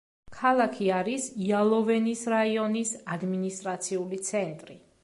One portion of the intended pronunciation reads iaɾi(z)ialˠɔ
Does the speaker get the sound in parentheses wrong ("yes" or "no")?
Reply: yes